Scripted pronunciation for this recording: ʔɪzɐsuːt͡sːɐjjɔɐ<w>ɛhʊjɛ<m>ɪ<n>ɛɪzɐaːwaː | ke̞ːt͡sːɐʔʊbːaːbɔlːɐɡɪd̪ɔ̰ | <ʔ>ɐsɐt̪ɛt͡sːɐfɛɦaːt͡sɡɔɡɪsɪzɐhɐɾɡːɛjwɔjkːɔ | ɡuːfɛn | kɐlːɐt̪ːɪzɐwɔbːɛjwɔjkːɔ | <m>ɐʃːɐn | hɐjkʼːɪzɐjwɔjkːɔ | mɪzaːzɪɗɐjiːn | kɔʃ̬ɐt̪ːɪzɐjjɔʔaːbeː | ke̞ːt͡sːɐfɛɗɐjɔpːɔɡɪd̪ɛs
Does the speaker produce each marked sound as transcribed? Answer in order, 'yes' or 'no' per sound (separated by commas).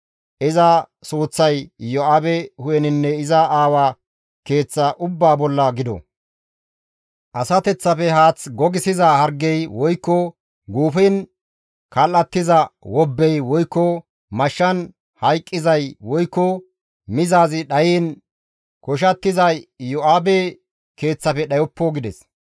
no, no, no, yes, yes